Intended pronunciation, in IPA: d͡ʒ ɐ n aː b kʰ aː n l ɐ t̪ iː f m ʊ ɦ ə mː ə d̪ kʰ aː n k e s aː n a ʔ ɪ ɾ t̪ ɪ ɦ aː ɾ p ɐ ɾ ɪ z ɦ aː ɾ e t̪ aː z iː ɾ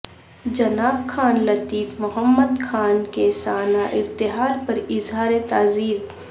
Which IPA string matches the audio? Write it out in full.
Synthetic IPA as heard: d͡ʒ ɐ n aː b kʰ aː n l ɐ t̪ iː f m ʊ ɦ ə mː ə d̪ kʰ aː n k e s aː n a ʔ ɪ ɾ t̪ ɪ ɦ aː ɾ p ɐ ɾ ɪ z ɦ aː ɾ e t̪ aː z iː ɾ